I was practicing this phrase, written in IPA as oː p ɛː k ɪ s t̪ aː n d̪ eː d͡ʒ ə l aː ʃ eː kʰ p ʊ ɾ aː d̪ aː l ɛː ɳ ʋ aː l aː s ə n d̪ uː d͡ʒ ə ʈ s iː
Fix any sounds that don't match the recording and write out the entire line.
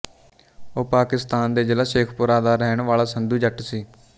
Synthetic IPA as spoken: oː p aː k ɪ s t̪ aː n d̪ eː d͡ʒ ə l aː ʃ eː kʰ p ʊ ɾ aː d̪ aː ɾ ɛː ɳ ʋ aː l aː s ə n d̪ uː d͡ʒ ə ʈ s iː

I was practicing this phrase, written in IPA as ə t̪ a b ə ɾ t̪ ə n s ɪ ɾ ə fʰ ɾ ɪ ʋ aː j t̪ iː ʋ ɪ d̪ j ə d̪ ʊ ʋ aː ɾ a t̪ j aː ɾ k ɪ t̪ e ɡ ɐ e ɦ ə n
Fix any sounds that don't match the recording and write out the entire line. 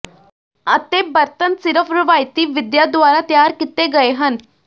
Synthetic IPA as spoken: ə t̪ e b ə ɾ t̪ ə n s ɪ ɾ ə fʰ ɾ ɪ ʋ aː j t̪ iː ʋ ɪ d̪ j a d̪ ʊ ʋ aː ɾ a t̪ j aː ɾ k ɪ t̪ e ɡ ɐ e ɦ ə n

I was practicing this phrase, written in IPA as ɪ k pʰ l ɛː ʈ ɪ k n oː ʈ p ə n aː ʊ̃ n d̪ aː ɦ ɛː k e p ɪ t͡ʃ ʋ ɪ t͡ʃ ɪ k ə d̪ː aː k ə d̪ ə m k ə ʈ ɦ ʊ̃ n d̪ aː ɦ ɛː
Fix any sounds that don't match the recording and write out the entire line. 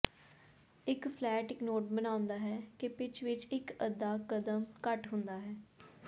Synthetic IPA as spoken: ɪ k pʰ l ɛː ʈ ɪ k n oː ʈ b ə n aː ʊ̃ n d̪ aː ɦ ɛː k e p ɪ t͡ʃ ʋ ɪ t͡ʃ ɪ k ə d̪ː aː k ə d̪ ə m k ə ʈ ɦ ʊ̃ n d̪ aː ɦ ɛː

